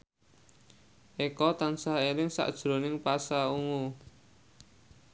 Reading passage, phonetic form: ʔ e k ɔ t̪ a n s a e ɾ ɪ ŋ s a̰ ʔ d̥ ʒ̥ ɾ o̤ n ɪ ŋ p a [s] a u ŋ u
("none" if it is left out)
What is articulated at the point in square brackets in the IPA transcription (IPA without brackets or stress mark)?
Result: s